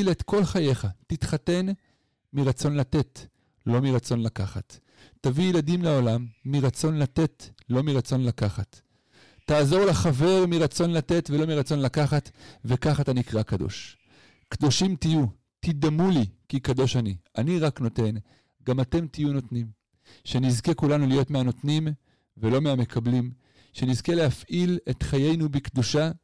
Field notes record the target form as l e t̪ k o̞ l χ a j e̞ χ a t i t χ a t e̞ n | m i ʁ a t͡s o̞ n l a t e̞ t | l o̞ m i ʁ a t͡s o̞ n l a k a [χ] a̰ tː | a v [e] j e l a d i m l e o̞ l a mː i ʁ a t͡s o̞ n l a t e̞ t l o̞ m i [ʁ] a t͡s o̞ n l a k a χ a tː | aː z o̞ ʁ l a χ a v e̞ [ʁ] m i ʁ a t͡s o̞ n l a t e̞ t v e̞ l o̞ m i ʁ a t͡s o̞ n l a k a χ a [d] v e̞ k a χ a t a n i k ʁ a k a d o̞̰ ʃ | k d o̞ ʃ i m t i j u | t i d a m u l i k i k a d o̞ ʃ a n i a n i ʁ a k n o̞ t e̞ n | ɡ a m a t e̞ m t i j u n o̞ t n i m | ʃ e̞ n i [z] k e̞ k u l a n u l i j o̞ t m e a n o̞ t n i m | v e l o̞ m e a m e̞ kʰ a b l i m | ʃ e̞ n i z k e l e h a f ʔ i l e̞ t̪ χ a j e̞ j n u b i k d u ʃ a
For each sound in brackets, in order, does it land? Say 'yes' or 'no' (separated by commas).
yes, no, yes, yes, no, yes